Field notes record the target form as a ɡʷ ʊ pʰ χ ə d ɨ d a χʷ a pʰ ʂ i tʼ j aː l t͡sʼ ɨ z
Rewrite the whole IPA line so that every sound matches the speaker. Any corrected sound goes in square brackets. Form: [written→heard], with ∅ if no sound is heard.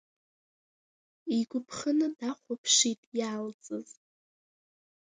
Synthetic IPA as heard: [a→i] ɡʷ ʊ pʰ χ ə [d→n] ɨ d a χʷ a pʰ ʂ i tʼ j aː l t͡sʼ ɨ z

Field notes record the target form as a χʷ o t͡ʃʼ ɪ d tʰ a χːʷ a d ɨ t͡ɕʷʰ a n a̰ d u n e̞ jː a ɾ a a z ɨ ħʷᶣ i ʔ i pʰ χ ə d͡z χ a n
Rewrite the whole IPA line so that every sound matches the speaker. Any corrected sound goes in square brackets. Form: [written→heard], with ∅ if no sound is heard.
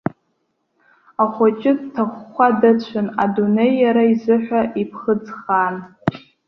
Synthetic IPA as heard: a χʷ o t͡ʃʼ ɪ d tʰ a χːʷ a d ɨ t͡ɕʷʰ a n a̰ d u n e̞ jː a ɾ a [a→i] z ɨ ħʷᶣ [i→a] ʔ i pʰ χ ə d͡z χ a n

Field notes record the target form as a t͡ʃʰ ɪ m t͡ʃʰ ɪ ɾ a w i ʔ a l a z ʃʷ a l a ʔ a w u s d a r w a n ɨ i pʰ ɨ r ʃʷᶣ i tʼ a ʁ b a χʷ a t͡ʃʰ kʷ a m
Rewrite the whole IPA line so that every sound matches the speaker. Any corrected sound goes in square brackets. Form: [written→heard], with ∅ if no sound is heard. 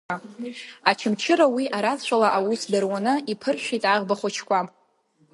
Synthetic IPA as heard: a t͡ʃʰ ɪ m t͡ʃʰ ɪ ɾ a w i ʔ a [l→ɾ] a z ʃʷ a l a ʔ a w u s d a r w a n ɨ i pʰ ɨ r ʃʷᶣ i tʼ a ʁ b a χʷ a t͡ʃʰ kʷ a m

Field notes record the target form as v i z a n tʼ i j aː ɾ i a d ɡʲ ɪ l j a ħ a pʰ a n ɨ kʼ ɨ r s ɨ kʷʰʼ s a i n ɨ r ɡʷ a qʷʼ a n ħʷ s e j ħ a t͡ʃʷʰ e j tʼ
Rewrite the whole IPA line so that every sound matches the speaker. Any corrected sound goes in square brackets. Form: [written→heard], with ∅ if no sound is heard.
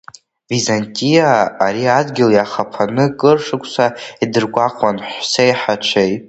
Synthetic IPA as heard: v i z a n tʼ i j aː ɾ i a d ɡʲ ɪ l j a [ħ→χ] a pʰ a n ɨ kʼ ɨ r [s→ʂ] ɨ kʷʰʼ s a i [n→d] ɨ r ɡʷ a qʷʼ a n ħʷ s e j ħ a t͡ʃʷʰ e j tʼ

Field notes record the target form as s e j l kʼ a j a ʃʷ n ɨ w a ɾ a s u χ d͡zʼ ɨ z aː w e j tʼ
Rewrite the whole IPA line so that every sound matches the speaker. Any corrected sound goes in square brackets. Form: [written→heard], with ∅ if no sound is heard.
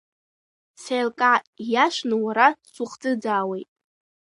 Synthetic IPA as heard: s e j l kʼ a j a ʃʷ n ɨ w a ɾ a s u χ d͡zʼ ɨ [z→d͡z] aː w e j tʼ

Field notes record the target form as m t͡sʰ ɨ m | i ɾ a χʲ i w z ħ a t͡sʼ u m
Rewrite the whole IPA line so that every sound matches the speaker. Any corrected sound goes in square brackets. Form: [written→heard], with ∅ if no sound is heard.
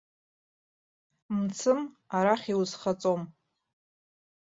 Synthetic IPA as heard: m t͡sʰ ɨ m | [i→a] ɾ a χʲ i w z [ħ→χ] a t͡sʼ [u→o] m

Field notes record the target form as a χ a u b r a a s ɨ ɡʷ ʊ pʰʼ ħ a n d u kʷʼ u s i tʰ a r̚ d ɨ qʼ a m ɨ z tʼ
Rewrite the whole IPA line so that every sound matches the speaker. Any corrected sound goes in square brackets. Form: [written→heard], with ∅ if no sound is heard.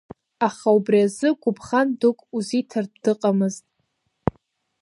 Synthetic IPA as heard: a χ a u b r [a→i] a [s→z] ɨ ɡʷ ʊ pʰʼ [ħ→χ] a n d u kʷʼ u [s→z] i tʰ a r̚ d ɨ qʼ a m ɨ z tʼ

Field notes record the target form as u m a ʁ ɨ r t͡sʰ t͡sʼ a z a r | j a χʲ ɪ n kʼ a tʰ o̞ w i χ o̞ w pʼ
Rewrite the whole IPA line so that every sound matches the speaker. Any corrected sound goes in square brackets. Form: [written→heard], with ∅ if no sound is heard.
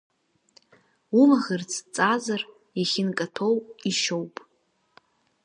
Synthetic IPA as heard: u m a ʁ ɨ r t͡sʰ t͡sʼ a z a r | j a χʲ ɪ n kʼ a tʰ o̞ w i [χ→ʃ] o̞ w pʼ

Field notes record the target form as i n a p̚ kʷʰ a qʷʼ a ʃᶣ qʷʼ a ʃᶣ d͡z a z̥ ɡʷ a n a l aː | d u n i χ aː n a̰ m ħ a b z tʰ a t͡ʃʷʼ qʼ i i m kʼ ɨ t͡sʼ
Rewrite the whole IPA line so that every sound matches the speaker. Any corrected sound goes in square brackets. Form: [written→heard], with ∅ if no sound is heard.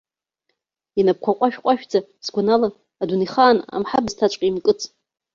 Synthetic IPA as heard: i n a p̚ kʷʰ a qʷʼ a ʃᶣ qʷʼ a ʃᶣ d͡z a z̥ ɡʷ a n a l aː | d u n i χ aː n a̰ m ħ a b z tʰ a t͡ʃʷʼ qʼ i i m kʼ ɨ t͡sʼ

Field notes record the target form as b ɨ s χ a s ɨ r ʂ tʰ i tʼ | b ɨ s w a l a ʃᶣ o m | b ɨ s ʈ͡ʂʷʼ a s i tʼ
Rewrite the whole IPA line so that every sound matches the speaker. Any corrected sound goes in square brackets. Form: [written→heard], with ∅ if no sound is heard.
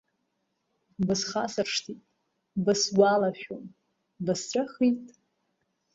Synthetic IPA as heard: b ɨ s χ a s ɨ r ʂ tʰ i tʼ | b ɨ s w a l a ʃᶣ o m | b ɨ s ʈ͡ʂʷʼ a [s→χ] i tʼ

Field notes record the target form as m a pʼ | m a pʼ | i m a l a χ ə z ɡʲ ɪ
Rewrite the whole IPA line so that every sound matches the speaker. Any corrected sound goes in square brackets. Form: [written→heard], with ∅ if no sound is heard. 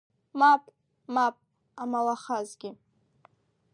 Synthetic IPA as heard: m a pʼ | m a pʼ | [i→a] m a l a χ [ə→a] z ɡʲ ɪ

